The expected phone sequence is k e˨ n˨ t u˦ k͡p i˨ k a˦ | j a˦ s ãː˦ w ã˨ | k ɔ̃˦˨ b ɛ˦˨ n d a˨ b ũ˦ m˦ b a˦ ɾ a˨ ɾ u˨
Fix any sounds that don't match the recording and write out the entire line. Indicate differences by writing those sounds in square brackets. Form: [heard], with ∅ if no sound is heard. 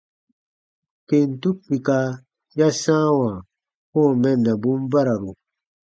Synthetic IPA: k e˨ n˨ t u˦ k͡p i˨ k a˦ | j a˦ s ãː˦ w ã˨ | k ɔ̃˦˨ [m] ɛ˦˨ n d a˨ b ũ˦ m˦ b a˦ ɾ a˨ ɾ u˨